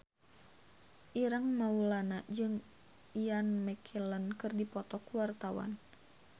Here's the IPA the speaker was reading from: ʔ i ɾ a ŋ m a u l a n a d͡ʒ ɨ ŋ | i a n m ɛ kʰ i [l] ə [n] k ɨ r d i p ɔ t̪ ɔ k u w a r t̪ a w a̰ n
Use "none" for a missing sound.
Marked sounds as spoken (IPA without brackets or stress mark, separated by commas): l, n